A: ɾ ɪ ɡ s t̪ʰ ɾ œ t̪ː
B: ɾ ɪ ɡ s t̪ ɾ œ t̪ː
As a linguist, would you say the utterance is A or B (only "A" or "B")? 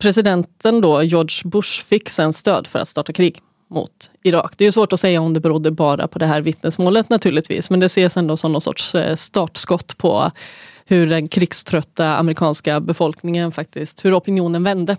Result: A